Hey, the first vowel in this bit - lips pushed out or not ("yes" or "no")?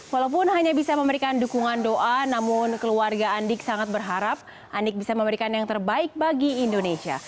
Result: no